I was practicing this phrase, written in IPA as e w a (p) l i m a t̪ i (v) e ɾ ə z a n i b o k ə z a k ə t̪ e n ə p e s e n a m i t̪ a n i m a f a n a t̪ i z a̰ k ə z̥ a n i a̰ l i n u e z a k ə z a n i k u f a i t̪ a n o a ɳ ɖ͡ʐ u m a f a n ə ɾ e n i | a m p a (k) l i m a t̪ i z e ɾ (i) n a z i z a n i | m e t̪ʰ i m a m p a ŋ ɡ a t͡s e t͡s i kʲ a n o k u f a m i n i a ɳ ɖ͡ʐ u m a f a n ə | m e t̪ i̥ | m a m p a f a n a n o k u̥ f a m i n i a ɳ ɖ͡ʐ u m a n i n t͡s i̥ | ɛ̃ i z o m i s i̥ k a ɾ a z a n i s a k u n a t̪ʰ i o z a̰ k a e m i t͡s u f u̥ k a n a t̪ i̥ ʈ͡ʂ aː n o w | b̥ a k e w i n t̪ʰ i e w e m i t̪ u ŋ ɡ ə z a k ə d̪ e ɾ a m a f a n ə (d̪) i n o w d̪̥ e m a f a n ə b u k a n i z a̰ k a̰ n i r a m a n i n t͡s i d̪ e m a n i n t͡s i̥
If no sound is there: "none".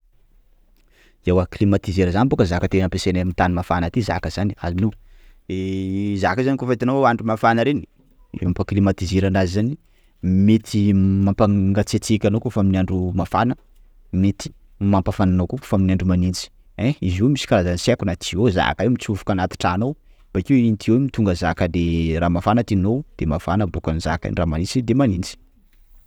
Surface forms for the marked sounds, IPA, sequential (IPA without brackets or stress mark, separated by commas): k, z, k, a, t̪